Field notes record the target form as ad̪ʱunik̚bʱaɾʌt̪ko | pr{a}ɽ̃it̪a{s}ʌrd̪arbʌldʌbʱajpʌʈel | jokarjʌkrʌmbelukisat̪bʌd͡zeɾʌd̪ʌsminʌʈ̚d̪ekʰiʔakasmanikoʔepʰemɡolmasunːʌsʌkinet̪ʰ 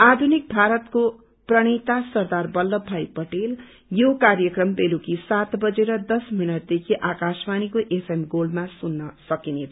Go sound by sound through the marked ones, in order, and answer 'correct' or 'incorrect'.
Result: incorrect: ʌ, correct

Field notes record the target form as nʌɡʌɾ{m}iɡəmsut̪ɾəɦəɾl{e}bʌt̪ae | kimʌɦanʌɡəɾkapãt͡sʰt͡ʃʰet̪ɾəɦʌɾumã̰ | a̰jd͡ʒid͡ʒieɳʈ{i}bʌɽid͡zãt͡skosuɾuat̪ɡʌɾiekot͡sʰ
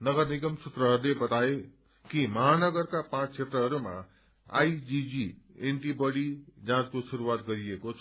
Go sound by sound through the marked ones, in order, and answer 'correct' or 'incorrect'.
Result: incorrect: n, correct, correct

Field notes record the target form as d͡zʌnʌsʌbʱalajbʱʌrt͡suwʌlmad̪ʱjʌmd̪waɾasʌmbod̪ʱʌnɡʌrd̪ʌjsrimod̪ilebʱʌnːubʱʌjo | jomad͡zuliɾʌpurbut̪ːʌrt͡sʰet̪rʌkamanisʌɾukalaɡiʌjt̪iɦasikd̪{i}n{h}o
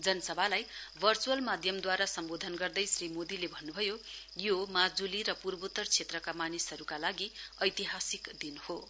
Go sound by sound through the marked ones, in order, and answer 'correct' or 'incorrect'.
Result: correct, correct

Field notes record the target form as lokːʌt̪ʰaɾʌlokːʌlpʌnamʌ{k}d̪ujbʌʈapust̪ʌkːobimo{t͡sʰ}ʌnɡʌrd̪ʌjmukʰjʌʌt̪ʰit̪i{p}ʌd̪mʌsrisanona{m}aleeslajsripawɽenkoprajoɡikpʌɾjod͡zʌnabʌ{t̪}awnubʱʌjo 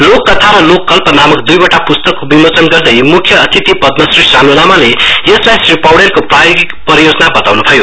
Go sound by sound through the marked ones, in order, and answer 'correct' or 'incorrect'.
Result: correct, incorrect: t͡s, correct, correct, correct

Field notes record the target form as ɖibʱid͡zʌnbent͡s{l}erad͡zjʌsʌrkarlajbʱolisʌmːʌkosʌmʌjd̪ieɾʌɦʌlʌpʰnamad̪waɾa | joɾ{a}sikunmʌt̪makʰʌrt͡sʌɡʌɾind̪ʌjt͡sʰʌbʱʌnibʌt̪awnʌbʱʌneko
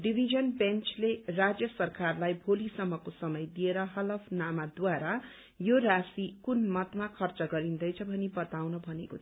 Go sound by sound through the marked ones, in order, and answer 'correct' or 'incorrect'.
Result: correct, correct

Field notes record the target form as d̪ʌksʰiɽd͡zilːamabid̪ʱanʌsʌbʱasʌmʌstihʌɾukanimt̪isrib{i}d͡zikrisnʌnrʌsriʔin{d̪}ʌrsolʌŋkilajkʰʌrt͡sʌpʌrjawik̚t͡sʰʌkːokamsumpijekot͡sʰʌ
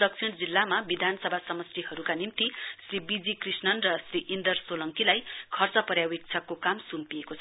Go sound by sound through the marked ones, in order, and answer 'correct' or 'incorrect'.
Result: correct, correct

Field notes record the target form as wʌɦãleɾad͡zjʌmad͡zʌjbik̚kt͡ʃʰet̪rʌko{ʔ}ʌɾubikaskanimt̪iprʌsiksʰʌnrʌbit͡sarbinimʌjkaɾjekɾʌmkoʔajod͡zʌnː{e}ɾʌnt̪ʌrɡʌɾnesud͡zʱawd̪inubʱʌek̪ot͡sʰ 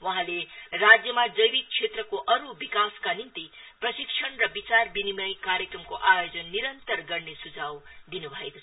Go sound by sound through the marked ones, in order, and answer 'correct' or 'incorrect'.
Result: correct, incorrect: i

